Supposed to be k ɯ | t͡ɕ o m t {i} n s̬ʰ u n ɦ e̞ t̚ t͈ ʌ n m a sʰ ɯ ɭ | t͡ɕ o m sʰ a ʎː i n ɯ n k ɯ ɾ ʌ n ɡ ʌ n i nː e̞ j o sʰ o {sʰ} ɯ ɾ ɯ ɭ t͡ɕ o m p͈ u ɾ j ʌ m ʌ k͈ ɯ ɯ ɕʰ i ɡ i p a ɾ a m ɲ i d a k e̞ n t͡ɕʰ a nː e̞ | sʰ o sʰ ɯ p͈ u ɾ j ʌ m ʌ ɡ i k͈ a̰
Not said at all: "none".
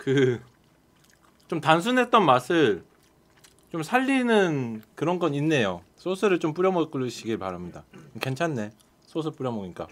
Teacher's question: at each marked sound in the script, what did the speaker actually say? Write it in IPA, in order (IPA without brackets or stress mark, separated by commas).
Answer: a, sʰ